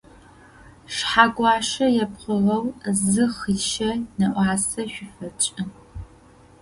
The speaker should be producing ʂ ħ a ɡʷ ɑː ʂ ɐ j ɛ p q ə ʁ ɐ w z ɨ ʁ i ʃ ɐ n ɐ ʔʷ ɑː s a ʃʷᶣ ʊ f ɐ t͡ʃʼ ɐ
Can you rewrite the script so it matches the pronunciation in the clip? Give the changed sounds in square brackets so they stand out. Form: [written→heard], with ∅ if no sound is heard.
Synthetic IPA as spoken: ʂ ħ a ɡʷ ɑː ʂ ɐ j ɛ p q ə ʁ ɐ w z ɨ [ʁ→χ] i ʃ ɐ n ɐ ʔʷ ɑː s [a→ɐ] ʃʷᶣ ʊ f ɐ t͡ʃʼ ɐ